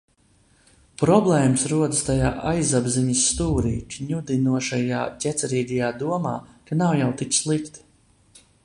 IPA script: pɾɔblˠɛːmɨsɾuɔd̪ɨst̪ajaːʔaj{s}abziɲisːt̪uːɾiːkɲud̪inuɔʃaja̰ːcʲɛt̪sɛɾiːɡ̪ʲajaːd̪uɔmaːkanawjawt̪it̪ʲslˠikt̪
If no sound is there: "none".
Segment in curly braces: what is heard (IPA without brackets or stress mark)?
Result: z